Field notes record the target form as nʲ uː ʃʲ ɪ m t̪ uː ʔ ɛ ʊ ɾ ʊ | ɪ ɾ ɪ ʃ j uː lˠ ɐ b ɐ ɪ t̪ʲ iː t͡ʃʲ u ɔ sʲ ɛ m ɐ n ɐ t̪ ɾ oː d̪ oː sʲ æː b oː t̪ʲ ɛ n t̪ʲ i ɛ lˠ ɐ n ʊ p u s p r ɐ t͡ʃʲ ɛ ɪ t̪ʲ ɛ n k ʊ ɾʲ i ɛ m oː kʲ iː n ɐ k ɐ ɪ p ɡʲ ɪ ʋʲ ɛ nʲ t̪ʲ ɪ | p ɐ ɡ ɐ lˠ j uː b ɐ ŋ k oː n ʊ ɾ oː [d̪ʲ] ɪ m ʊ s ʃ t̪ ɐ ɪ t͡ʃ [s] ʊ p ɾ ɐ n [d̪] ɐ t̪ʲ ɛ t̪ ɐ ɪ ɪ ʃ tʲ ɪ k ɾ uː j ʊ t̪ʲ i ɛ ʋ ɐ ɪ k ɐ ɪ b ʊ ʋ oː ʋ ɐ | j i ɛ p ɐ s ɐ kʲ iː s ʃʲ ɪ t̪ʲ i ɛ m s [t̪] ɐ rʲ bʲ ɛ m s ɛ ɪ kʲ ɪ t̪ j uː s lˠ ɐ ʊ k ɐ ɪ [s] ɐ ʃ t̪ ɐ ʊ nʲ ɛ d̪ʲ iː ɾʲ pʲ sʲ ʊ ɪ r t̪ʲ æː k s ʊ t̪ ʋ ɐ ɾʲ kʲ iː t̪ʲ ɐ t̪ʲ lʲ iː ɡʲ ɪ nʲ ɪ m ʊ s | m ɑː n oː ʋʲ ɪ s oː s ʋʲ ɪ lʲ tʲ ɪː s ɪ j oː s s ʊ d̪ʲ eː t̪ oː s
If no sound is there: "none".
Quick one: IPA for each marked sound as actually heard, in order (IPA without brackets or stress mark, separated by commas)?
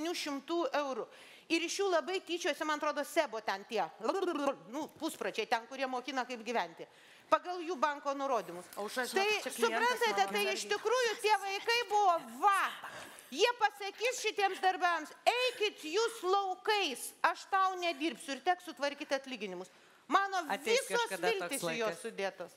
d̪ʲ, s, t̪, d̪, s